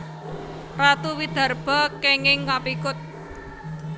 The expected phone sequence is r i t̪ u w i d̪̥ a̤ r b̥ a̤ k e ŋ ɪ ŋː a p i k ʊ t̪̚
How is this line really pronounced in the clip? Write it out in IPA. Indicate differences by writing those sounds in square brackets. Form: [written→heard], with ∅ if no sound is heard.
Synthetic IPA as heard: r [i→a] t̪ u w i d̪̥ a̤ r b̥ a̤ k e ŋ ɪ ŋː a p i k ʊ t̪̚